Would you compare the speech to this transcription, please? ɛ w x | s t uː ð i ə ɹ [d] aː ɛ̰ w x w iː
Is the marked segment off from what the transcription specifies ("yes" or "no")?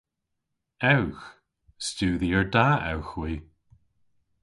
no